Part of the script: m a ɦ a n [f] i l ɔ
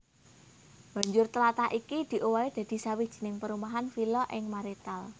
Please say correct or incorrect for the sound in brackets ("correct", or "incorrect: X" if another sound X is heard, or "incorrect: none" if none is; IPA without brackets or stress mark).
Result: correct